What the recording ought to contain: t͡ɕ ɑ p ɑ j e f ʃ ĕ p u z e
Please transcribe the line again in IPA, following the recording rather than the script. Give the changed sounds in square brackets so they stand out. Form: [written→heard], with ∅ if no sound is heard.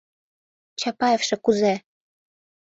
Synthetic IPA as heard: t͡ɕ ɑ p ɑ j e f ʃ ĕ [p→k] u z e